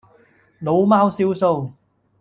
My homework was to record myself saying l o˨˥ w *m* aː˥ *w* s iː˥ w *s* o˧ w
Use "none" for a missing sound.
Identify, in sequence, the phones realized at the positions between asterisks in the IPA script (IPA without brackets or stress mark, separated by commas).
m, w, s